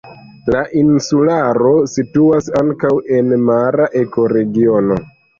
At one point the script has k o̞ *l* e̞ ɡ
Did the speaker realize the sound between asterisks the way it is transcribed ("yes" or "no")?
no